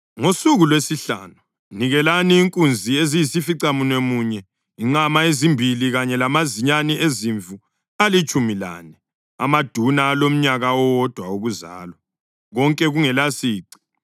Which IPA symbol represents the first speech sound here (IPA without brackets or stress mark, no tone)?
ŋ